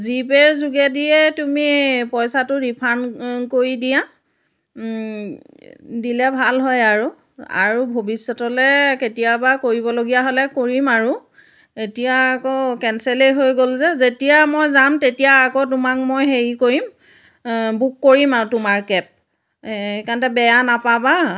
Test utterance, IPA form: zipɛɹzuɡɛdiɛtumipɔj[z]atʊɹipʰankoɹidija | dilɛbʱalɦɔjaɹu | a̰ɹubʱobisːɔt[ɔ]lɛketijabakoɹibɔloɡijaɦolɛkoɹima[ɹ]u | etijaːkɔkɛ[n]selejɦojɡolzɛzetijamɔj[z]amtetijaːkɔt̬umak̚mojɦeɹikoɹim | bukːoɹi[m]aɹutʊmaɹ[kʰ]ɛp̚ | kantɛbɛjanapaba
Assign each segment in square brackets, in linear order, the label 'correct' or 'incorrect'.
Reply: incorrect, correct, correct, correct, correct, correct, incorrect

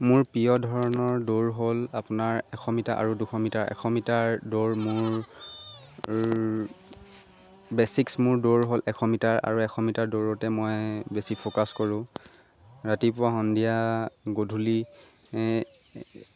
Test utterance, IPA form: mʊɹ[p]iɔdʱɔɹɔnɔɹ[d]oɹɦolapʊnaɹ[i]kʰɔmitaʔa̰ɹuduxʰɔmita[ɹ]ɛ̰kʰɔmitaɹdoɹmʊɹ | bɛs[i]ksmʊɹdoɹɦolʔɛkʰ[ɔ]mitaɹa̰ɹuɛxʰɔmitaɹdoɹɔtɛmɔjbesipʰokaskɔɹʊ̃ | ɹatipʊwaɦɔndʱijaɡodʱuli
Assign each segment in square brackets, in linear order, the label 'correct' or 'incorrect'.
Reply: correct, correct, incorrect, correct, correct, correct

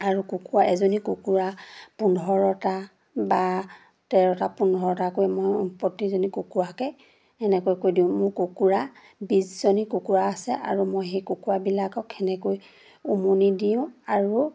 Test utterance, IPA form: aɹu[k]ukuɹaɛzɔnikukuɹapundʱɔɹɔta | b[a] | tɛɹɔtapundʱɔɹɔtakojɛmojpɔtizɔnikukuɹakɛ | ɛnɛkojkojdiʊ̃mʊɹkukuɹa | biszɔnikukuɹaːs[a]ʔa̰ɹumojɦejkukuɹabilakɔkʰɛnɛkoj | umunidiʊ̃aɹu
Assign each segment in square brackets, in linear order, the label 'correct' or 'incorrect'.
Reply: correct, correct, incorrect

